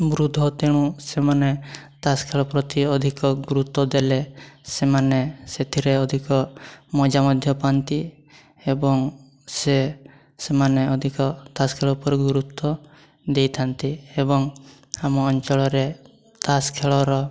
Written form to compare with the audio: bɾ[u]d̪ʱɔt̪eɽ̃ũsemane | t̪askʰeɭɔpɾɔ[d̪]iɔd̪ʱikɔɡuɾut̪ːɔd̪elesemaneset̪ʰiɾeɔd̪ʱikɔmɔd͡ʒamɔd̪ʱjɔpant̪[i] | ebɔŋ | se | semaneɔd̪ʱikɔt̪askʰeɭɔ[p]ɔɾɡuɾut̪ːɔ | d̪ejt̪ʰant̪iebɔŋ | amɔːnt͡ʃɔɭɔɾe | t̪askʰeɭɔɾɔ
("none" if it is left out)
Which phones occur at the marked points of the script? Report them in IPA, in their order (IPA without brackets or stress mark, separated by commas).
u, t̪, i, p